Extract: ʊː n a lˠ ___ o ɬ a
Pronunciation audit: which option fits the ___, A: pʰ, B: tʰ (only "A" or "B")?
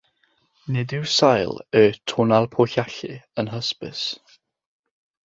A